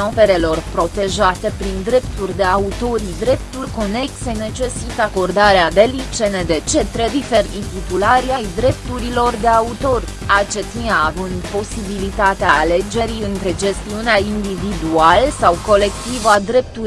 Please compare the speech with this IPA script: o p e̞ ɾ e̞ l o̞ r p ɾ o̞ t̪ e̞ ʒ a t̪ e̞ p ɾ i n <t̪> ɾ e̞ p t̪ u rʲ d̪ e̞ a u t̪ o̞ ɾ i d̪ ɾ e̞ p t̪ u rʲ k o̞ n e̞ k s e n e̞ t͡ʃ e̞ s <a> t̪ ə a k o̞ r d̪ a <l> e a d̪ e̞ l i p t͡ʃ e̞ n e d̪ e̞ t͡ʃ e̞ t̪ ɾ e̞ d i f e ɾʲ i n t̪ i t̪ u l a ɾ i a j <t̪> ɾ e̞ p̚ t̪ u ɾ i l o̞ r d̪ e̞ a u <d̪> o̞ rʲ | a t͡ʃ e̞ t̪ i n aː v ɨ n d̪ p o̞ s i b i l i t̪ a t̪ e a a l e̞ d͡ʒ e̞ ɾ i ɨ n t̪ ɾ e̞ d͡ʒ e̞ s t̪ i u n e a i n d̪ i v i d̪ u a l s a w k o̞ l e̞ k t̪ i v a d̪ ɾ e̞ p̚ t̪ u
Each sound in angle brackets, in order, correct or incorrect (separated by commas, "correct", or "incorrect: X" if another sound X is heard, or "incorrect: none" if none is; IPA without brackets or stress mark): incorrect: d̪, incorrect: i, incorrect: ɾ, incorrect: d̪, incorrect: t̪